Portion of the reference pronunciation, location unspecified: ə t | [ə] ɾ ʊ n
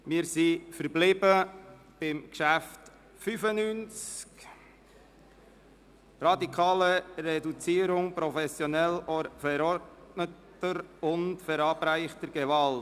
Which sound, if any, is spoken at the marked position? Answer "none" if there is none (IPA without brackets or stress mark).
ə